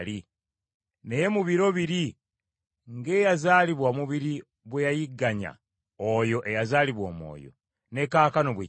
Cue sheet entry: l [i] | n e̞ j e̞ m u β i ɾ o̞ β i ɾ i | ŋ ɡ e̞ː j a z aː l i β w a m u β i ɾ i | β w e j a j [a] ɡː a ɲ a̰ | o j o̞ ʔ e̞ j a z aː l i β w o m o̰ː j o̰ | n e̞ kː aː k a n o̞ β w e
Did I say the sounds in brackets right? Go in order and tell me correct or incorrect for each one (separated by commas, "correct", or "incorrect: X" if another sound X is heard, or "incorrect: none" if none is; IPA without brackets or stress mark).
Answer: correct, incorrect: i